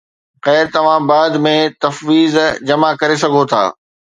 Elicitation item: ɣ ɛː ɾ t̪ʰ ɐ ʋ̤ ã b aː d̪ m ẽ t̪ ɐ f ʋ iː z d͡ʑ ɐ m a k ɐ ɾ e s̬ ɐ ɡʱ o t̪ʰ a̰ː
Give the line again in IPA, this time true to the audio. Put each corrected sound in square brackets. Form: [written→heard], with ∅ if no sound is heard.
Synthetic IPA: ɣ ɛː ɾ [t̪ʰ→t̪] ɐ ʋ̤ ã b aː d̪ m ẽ t̪ ɐ f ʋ iː z d͡ʑ ɐ m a k ɐ ɾ e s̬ ɐ ɡʱ o t̪ʰ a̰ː